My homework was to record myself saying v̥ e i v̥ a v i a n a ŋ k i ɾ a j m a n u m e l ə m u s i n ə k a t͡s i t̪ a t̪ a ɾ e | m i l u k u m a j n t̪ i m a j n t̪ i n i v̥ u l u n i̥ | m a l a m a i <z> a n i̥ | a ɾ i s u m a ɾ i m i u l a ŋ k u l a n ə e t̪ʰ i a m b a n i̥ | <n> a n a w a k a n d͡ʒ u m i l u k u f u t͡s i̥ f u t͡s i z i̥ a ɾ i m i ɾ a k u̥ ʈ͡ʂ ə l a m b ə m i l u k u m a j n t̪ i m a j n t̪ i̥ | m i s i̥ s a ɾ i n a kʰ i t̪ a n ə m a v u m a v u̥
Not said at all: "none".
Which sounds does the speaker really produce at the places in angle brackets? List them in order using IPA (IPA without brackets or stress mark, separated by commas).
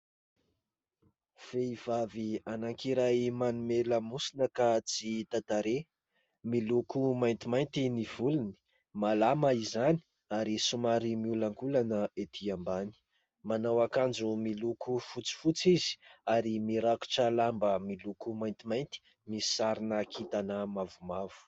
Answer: z, m